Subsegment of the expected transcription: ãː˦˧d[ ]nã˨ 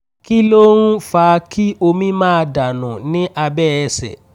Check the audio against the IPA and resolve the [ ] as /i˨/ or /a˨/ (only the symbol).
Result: a˨